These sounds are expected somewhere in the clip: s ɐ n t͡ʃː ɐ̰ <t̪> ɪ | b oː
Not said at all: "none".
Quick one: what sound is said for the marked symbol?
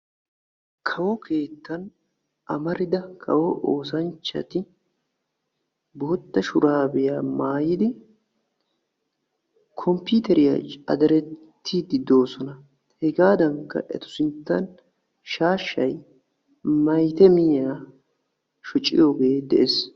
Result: t̪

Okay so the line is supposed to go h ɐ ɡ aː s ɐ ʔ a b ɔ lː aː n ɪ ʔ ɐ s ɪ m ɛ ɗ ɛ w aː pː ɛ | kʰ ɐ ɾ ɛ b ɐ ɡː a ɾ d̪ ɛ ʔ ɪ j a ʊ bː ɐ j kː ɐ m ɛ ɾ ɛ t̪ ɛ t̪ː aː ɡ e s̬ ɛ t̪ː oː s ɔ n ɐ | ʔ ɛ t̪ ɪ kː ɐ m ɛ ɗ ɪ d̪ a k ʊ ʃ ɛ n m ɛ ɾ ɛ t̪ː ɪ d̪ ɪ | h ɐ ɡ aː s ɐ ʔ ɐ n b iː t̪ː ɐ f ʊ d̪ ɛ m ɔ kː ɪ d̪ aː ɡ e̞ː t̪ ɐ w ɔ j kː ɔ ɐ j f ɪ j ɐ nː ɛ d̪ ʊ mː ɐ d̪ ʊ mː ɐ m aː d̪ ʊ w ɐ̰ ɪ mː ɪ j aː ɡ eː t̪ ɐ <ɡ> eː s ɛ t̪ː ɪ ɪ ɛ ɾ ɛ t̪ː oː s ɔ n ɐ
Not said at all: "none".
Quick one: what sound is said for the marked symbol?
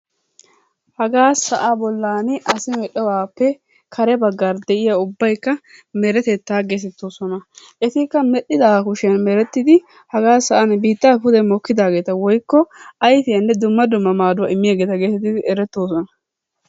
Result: ɡ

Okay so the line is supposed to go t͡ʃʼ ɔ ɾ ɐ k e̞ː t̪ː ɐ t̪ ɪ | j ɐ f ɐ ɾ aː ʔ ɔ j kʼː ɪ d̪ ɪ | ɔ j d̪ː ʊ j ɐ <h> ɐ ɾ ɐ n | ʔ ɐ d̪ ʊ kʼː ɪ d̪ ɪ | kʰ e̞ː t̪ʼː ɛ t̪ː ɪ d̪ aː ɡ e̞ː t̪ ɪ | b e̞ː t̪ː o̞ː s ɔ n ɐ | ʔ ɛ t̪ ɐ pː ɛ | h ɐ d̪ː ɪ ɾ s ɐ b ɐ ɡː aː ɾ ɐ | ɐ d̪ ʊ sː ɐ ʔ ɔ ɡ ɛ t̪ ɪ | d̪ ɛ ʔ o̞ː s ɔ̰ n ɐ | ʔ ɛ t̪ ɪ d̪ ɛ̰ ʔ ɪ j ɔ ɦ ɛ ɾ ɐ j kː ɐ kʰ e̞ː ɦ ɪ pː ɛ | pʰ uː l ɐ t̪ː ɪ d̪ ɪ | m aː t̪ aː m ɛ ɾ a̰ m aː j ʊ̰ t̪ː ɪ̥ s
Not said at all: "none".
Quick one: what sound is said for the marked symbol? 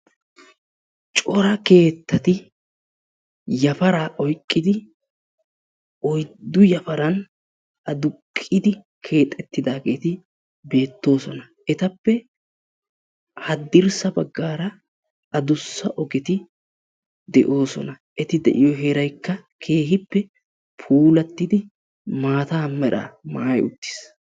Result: f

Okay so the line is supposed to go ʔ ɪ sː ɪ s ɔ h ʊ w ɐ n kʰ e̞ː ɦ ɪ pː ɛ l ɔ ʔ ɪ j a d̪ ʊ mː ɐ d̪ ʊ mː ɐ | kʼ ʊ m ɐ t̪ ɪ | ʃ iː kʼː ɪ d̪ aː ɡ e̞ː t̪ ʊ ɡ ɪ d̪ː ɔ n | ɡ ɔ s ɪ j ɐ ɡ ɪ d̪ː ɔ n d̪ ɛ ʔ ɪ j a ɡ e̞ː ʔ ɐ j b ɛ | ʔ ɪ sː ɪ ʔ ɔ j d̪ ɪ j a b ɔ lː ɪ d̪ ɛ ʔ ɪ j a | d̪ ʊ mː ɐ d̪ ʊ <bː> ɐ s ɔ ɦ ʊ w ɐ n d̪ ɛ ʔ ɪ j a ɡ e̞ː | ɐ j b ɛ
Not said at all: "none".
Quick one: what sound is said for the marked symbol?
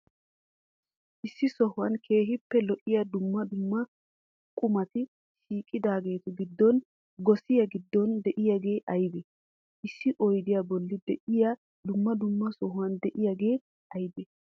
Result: mː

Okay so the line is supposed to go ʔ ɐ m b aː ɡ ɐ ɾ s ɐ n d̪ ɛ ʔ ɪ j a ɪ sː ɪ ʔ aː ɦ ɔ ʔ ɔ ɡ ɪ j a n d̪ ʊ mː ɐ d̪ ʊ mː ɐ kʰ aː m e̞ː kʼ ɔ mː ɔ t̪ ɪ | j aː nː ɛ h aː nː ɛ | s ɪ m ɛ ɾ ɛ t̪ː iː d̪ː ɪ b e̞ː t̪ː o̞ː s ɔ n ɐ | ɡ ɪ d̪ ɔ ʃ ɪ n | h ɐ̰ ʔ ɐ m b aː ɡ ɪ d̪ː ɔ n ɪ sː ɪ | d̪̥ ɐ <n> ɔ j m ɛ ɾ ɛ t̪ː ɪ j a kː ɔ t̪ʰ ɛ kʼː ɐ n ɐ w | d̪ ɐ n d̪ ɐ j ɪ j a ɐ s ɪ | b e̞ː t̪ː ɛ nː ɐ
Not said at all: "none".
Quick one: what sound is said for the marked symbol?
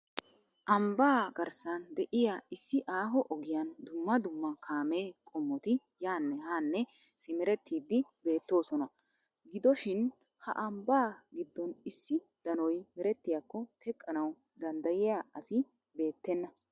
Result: n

